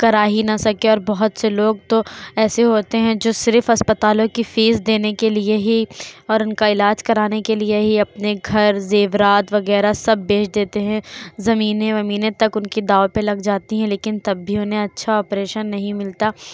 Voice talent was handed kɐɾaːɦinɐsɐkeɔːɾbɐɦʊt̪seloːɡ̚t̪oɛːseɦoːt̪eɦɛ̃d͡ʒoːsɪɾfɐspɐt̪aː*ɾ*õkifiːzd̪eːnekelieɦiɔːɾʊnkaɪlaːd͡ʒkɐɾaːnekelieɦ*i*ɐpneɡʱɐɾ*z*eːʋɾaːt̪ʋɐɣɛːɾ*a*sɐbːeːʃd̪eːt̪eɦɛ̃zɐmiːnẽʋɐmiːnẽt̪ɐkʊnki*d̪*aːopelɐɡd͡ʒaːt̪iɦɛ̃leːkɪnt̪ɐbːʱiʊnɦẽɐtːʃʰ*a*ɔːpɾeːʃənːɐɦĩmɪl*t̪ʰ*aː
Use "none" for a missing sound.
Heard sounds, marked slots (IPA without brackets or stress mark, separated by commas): l, i, z, a, d̪, a, t̪